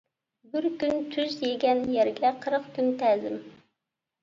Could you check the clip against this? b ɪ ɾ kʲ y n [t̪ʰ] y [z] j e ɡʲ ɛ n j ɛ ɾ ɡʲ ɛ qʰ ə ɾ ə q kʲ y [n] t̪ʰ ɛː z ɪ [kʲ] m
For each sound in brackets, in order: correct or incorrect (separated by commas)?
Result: correct, correct, correct, incorrect